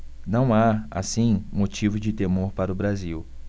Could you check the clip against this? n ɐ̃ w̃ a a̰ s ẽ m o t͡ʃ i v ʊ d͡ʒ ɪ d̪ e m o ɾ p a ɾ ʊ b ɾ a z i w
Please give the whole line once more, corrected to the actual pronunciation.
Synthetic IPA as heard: n ɐ̃ w̃ a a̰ s ĩ m o t͡ʃ i v ʊ d͡ʒ ɪ t̪ e m o ɾ p a ɾ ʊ b ɾ a z i w